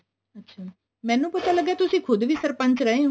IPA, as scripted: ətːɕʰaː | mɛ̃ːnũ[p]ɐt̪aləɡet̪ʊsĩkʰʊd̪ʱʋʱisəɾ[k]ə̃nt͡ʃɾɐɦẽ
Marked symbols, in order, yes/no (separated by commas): yes, no